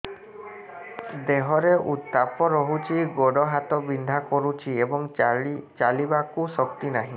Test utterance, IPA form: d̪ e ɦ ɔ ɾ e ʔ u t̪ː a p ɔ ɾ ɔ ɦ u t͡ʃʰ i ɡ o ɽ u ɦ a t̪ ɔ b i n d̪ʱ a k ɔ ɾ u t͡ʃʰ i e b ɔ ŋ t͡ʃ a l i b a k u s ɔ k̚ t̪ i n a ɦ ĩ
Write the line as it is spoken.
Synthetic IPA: d̪ e ɦ ɔ ɾ e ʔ u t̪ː a p ɔ ɾ ɔ ɦ u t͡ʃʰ i ɡ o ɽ ɔ ɦ a t̪ ɔ b i n d̪ʱ a k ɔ ɾ u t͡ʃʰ i e b ɔ ŋ t͡ʃ a l i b a k u s ɔ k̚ t̪ i n a ɦ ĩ